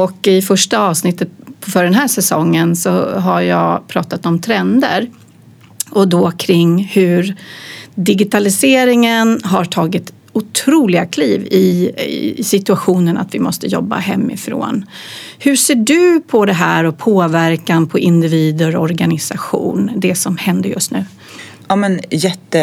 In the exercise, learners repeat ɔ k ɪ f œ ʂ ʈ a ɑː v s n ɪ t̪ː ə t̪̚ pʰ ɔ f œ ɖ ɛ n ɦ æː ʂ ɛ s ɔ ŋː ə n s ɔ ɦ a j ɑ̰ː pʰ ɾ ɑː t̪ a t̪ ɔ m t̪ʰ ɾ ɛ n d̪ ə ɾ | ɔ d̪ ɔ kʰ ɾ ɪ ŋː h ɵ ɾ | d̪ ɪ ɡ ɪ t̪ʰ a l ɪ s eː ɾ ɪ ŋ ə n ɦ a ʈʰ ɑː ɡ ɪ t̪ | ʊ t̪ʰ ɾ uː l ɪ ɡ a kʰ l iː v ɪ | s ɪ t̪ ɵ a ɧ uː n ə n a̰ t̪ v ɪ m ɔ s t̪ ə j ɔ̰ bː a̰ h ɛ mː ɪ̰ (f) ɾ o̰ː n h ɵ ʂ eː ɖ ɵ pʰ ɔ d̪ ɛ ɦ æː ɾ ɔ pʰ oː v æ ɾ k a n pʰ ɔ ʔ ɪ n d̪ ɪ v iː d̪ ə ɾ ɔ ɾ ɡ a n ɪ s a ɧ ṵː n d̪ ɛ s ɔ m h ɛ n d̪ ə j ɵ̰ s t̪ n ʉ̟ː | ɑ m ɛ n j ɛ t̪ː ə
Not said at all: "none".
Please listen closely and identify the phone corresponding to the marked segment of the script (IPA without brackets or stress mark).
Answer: f